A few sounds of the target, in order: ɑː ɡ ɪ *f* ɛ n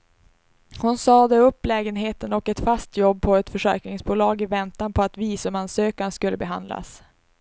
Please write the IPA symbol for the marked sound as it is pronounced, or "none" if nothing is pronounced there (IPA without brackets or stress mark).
v